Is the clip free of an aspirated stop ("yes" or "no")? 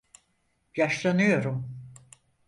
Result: yes